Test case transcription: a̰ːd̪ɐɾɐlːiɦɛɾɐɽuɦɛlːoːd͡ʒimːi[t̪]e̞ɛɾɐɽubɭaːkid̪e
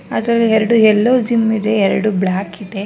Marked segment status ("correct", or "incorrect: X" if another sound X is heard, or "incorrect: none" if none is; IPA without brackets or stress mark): incorrect: d̪